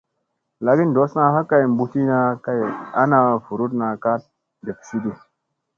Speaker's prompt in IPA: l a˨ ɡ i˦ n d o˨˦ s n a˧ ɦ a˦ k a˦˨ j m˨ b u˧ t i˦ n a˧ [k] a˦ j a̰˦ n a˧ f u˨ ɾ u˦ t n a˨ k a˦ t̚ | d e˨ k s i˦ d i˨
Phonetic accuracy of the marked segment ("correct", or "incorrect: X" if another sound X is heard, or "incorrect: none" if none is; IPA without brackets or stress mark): correct